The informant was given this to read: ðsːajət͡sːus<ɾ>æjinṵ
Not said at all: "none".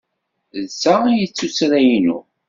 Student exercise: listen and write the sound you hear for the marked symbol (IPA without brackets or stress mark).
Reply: ɾ